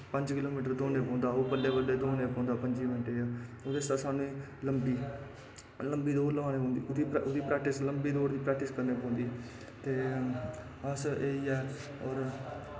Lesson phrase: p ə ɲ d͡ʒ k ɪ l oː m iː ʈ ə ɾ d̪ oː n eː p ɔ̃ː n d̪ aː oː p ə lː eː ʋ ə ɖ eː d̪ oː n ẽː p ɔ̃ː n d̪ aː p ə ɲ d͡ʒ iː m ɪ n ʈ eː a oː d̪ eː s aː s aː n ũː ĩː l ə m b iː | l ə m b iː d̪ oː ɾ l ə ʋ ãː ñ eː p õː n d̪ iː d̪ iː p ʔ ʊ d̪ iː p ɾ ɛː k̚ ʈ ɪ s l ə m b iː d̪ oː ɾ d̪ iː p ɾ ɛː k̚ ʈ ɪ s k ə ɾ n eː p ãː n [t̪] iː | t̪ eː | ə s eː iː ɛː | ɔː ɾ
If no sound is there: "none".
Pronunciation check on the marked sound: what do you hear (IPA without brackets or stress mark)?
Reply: d̪